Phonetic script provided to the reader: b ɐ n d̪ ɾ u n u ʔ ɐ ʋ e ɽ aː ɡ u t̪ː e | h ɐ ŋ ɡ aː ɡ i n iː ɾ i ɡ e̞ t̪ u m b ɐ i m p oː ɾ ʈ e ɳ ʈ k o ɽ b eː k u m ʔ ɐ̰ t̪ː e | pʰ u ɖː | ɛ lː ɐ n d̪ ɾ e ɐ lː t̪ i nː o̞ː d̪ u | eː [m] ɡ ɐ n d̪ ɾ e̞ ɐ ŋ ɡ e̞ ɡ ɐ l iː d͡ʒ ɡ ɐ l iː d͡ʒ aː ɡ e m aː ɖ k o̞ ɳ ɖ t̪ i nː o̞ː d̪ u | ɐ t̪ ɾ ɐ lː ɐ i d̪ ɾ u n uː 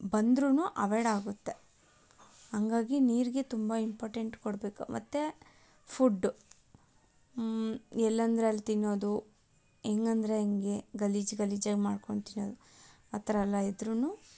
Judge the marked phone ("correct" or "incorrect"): incorrect